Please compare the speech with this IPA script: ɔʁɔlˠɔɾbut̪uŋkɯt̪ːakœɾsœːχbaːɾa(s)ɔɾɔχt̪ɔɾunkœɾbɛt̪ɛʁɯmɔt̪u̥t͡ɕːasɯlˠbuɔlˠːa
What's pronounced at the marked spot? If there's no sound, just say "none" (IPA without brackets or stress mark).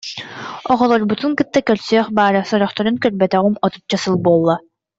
s